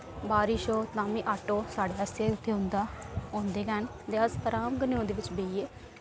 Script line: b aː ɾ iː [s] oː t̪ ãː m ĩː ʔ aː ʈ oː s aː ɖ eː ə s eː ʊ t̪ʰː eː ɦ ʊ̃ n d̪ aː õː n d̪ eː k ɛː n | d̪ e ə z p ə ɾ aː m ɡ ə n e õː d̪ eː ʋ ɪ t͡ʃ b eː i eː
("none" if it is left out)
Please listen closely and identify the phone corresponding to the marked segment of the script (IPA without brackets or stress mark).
ʃ